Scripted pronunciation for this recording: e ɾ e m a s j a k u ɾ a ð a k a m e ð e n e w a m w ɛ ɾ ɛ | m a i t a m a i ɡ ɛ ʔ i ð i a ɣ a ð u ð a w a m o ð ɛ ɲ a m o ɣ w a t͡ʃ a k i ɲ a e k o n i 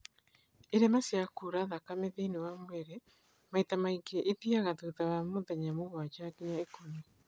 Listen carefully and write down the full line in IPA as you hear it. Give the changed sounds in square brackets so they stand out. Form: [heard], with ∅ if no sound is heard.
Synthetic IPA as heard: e ɾ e m a s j a k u ɾ a ð a k a m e ð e n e w a m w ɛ ɾ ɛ | m a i t a m a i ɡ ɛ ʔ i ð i a ɣ a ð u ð a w a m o ð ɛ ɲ a m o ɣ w a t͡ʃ a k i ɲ a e k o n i